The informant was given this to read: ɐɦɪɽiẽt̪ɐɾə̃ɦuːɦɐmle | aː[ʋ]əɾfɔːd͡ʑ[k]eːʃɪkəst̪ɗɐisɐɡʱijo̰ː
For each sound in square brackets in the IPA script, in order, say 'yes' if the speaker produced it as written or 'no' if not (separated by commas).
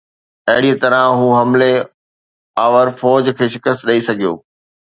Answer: yes, no